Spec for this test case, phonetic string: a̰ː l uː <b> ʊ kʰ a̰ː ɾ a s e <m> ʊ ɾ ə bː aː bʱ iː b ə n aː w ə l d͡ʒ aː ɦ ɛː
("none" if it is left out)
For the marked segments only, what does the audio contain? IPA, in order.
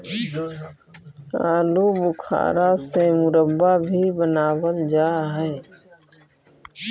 b, m

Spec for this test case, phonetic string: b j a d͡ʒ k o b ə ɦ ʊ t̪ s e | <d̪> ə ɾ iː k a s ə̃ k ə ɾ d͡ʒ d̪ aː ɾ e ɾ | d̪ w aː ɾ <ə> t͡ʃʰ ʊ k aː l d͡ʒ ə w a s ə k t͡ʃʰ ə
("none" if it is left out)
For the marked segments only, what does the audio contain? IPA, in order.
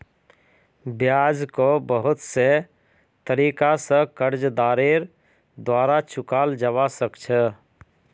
t̪, a

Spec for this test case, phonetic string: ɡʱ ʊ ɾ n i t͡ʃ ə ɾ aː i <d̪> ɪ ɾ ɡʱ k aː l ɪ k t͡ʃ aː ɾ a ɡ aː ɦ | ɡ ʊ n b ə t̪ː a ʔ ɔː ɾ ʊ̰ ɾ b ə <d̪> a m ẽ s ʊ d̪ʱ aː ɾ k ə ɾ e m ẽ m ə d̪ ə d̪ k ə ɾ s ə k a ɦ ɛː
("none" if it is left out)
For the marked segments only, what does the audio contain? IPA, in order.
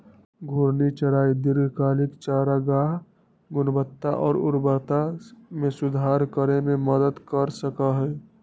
d̪, t̪

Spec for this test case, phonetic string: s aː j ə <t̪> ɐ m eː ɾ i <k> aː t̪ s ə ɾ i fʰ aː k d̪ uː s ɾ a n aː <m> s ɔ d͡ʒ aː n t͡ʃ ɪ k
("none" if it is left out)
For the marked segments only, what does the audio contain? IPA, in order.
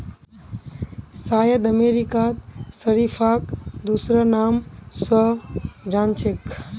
d̪, k, m

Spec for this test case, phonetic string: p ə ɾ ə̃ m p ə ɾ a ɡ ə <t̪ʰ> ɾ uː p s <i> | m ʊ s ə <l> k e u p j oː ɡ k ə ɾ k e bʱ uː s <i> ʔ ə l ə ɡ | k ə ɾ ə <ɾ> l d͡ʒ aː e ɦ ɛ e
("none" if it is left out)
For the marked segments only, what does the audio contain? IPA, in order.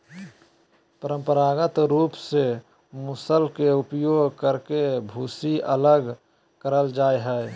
t̪, e, l, i, none

